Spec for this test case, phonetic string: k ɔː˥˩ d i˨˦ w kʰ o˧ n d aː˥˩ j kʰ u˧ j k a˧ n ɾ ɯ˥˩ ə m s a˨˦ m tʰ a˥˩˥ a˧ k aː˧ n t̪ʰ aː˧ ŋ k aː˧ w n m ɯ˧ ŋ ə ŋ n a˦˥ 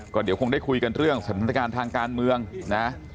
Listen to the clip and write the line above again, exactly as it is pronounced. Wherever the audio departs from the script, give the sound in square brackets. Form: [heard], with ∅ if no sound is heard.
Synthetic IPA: k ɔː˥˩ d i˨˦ w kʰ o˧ [ŋ] d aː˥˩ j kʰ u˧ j k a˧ n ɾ ɯ˥˩ ə [ŋ] s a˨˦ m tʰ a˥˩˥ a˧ k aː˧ n t̪ʰ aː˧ ŋ k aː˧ [∅] n m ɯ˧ [∅] ə ŋ n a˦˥